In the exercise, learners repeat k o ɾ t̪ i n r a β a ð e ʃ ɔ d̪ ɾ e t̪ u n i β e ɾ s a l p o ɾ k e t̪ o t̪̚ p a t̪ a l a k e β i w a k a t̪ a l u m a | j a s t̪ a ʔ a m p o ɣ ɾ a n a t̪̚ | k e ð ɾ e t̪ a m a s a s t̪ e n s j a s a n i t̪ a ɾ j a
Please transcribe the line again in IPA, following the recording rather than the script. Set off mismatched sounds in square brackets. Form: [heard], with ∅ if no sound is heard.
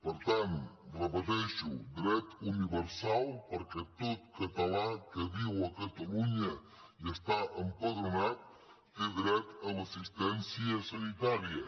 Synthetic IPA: [p] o ɾ t̪ [a] n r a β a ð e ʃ [u] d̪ ɾ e t̪ u n i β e ɾ s a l p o ɾ k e t̪ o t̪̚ [k] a t̪ a l a k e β i w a k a t̪ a l u [ɲ] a | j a s t̪ a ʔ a m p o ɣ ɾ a n a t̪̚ | k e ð ɾ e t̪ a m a s [i] s t̪ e n s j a s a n i t̪ a ɾ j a